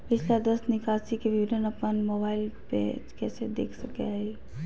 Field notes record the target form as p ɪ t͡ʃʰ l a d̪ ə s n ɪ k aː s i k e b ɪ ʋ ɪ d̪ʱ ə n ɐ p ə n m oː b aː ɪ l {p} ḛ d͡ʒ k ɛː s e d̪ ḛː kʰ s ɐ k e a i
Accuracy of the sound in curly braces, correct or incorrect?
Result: correct